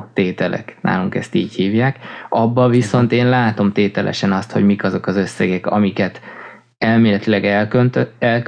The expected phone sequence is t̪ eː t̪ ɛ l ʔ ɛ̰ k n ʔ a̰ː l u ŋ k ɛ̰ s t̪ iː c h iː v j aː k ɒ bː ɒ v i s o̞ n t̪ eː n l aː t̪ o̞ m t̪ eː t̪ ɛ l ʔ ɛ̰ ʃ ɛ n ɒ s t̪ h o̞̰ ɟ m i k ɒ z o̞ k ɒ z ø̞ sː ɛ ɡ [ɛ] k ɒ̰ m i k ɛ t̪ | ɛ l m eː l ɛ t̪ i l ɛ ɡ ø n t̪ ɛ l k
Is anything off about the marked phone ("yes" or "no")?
no